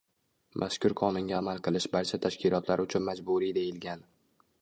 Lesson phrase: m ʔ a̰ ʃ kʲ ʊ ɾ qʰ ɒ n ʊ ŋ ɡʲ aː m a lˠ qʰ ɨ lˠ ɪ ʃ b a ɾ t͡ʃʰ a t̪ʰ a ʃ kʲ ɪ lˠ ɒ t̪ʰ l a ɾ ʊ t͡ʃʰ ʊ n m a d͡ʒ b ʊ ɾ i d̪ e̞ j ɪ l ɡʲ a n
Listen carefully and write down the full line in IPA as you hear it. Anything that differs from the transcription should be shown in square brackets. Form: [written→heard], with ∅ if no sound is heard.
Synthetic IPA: m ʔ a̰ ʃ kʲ ʊ ɾ qʰ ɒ n ʊ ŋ ɡʲ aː m a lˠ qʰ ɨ lˠ ɪ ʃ b a ɾ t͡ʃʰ a t̪ʰ a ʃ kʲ ɪ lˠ ɒ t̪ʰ l a ɾ ʊ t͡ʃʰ ʊ n m a d͡ʒ b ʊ ɾ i d̪ e̞ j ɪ l ɡʲ a n